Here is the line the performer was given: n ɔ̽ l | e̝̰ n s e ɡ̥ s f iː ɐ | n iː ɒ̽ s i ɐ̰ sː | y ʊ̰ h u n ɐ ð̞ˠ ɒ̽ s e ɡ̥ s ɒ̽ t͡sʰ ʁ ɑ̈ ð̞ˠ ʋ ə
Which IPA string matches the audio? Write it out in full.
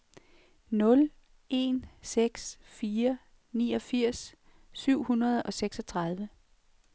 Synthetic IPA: n ɔ̽ l | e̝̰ n s e ɡ̥ s f iː ɐ | n iː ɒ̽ f i ɐ̰ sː | y ʊ̰ h u n ɐ ð̞ˠ ɒ̽ s e ɡ̥ s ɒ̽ t͡sʰ ʁ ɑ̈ ð̞ˠ ʋ ə